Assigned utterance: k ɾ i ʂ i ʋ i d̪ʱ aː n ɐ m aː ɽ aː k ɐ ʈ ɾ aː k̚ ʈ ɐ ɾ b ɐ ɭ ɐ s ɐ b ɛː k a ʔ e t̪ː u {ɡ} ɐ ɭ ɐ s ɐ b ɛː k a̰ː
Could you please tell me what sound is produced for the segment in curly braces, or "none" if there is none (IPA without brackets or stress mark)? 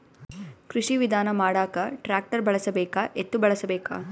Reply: b